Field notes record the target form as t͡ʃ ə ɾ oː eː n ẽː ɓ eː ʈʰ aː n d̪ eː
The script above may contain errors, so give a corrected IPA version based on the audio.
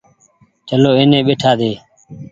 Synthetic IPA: t͡ʃ ə l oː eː n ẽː ɓ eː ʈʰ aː d̪ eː